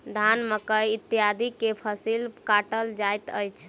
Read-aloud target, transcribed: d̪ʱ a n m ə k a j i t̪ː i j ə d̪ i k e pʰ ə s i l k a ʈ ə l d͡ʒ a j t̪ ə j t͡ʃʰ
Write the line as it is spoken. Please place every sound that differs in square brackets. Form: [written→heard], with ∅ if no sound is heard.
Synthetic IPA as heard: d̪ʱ a n m ə k [a→ə] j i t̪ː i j [ə→a] d̪ i k e pʰ ə s i l k a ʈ ə l d͡ʒ a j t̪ ə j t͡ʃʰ